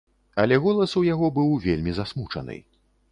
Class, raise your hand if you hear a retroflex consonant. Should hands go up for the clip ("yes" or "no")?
yes